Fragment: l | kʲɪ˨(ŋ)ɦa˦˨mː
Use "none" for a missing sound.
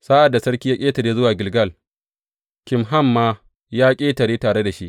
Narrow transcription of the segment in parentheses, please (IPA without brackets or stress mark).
m